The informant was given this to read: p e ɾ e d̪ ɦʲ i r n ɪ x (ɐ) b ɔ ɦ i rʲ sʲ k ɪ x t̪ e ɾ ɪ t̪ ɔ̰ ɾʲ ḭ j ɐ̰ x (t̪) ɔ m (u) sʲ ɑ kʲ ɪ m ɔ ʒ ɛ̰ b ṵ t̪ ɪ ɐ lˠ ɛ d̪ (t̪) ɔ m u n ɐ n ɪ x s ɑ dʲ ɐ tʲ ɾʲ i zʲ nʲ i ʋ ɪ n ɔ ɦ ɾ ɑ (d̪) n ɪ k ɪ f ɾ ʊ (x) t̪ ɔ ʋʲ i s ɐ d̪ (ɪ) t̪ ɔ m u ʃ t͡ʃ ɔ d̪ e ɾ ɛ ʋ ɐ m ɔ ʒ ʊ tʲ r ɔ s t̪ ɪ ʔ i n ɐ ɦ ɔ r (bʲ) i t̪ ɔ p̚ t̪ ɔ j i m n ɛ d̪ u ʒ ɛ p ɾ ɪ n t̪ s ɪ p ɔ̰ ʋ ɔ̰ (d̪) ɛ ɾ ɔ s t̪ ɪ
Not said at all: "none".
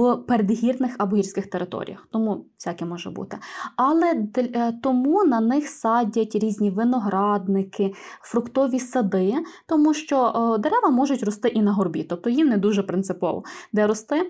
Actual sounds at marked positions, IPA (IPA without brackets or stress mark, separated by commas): ɐ, t̪, u, t̪, d̪, k, ɪ, bʲ, d̪